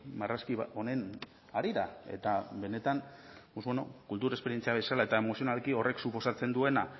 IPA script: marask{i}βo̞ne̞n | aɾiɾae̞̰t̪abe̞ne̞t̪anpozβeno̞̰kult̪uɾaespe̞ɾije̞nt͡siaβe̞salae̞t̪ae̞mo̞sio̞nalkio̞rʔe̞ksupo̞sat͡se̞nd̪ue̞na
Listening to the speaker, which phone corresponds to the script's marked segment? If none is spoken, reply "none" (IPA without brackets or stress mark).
i